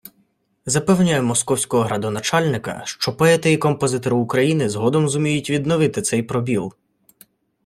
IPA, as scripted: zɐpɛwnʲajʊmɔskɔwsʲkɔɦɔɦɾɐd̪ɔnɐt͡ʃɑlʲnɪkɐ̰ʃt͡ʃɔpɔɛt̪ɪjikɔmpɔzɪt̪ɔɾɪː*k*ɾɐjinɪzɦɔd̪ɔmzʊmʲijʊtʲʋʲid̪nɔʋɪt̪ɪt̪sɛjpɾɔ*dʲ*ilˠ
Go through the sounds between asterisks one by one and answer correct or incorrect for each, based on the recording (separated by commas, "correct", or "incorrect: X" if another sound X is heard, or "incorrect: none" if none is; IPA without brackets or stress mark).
correct, incorrect: bʲ